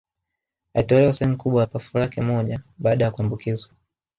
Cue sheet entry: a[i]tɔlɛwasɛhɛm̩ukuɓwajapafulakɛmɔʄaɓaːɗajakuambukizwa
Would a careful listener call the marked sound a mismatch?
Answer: no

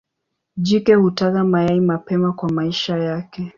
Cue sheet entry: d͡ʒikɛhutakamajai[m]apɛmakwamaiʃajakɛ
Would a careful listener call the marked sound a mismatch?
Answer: no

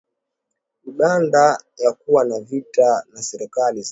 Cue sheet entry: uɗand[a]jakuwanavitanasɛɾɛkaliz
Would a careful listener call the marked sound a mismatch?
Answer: no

